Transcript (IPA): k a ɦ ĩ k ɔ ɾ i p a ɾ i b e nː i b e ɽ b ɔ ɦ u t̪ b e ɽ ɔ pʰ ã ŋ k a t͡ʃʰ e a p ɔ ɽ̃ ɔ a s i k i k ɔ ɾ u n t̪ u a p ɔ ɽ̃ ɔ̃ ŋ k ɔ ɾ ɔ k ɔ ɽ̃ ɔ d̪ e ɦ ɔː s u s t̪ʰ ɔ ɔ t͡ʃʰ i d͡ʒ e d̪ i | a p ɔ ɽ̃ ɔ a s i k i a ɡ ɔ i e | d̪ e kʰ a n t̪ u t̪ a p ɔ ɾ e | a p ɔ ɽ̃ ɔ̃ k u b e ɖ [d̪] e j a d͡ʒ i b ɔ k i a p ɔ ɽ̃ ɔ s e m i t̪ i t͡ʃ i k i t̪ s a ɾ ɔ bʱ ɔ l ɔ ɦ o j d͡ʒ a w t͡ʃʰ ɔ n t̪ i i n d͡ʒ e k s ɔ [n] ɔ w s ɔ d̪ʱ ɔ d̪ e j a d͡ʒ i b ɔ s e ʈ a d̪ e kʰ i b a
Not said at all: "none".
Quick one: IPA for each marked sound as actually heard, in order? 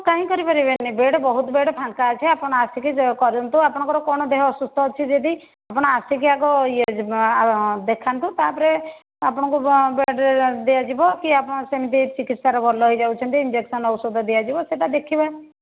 d̪, n

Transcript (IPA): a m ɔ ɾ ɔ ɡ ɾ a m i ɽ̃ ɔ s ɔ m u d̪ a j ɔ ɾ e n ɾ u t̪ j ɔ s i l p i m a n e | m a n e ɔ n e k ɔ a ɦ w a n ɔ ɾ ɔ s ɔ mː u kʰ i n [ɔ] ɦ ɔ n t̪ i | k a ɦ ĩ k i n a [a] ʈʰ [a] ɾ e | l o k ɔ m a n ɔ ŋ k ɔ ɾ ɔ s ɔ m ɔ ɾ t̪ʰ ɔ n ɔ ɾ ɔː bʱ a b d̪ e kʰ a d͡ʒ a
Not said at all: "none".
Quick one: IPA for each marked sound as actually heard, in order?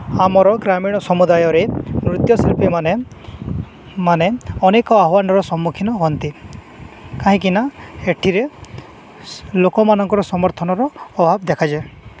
ɔ, e, i

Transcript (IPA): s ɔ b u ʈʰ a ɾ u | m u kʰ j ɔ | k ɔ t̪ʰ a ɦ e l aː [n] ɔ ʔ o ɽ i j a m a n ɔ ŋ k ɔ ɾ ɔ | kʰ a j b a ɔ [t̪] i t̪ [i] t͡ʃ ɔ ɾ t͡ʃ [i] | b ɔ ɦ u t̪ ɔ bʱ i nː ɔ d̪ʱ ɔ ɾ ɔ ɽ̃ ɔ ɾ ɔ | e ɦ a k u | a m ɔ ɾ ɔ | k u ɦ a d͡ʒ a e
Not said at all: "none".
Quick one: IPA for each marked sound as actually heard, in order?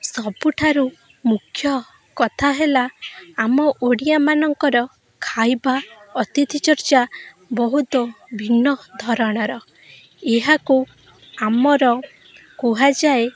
m, t̪, i, a

